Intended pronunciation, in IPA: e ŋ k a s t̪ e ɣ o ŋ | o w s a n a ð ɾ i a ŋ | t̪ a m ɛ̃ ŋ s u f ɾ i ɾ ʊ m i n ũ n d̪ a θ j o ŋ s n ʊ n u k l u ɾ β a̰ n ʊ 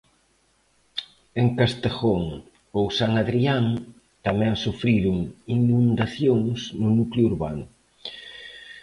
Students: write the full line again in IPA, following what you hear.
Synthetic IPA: e ŋ k a s t̪ e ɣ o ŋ | o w s a ŋ a ð ɾ i a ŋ | t̪ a m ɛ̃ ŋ s u f ɾ i ɾ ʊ ŋ i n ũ n d̪ a θ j o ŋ s n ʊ n u k l u ɾ β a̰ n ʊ